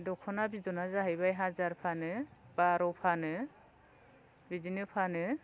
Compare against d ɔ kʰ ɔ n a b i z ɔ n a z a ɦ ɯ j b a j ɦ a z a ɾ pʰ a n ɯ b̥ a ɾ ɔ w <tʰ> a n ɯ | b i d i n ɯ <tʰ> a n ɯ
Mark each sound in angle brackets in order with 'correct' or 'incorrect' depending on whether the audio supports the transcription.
incorrect, incorrect

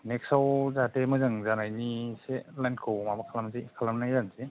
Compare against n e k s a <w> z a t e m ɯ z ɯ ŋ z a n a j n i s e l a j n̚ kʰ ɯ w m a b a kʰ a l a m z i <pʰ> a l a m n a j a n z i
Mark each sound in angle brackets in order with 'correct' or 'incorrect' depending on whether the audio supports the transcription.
correct, incorrect

